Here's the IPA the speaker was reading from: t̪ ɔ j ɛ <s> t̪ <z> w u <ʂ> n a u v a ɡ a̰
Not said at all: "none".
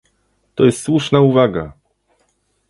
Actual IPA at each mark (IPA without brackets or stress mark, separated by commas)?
s, s, ʂ